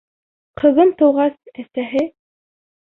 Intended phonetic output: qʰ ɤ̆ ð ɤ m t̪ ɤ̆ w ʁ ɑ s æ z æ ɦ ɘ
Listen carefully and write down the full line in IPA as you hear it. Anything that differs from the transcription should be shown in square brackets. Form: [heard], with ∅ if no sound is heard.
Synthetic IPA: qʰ ɤ̆ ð ɤ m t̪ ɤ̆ w ʁ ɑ s æ [s] æ ɦ ɘ